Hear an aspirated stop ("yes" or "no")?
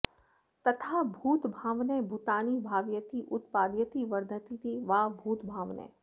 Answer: yes